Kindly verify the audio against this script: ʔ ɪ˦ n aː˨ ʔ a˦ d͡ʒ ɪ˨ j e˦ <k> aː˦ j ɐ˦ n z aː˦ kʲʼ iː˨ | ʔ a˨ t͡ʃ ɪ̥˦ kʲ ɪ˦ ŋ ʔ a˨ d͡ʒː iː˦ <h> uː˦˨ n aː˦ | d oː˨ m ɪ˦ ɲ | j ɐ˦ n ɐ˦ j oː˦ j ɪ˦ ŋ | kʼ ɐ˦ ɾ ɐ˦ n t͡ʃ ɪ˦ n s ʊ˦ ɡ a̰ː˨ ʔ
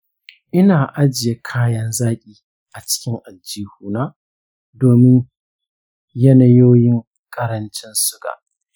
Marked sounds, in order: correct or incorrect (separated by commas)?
incorrect, correct